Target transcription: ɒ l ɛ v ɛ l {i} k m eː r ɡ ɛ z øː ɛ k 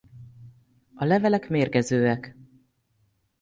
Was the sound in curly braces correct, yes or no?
no